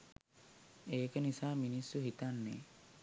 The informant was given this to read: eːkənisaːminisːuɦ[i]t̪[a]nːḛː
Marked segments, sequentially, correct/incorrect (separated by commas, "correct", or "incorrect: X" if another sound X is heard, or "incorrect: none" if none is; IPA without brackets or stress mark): correct, correct